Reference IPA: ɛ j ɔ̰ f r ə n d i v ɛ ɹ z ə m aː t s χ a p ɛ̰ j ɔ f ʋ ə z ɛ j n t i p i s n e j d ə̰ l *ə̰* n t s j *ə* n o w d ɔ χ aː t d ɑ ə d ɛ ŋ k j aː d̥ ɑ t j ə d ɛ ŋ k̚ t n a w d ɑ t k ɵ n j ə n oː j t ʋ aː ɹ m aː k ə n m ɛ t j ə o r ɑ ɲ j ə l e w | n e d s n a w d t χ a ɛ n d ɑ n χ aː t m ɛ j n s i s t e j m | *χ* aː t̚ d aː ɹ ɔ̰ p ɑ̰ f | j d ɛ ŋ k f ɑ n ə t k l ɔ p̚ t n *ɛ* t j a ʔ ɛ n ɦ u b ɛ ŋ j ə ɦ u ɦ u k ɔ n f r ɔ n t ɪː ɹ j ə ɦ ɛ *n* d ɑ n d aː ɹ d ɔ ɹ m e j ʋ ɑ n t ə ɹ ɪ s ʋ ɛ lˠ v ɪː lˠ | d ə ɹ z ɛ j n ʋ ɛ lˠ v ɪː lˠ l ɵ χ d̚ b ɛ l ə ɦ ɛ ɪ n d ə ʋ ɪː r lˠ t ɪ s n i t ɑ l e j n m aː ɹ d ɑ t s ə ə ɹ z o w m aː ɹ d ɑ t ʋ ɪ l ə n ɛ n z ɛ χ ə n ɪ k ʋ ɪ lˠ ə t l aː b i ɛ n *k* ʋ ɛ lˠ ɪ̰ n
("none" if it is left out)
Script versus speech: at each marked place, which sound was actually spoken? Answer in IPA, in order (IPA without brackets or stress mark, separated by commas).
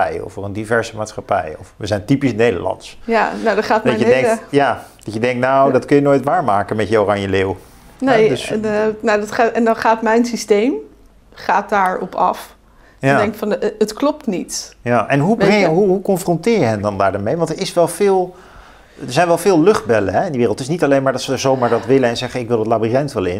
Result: ɑ̰, a, χ, i, n, t